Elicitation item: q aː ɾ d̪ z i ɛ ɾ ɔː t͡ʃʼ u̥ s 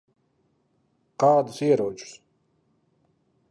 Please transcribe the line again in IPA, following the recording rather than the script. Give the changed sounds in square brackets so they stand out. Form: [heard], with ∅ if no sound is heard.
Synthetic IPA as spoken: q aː [∅] d̪ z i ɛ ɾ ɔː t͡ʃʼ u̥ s